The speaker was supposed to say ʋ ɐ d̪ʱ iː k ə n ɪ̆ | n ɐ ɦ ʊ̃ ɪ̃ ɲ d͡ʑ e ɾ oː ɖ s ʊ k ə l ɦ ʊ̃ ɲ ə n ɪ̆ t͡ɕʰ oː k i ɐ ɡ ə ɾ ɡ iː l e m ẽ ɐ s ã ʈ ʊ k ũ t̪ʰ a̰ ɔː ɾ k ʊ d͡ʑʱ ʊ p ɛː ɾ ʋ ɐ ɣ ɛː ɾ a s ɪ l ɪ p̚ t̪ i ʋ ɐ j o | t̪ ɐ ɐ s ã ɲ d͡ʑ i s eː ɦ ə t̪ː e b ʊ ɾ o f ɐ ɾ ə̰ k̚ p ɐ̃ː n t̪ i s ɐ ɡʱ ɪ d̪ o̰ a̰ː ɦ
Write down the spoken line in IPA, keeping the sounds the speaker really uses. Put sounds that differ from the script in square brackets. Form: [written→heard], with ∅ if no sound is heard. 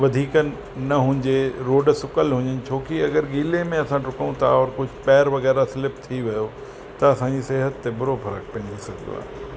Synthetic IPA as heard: ʋ ɐ d̪ʱ iː k ə n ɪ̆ | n ɐ ɦ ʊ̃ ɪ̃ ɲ d͡ʑ e ɾ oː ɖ s ʊ k ə l ɦ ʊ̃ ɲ ə n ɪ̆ t͡ɕʰ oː k i ɐ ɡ ə ɾ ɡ iː l e m ẽ ɐ s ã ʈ ʊ k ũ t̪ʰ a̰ ɔː ɾ k ʊ d͡ʑʱ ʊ p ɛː ɾ ʋ ɐ ɣ ɛː ɾ a s ɪ l ɪ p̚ [t̪→t̪ʰ] i ʋ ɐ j o | t̪ ɐ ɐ s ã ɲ d͡ʑ i s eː ɦ ə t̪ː e b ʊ ɾ o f ɐ ɾ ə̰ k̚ p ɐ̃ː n [t̪→d̪] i s ɐ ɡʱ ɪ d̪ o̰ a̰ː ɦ